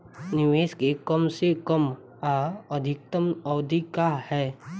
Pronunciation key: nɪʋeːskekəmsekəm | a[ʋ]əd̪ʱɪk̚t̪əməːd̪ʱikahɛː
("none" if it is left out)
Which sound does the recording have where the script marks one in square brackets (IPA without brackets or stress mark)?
none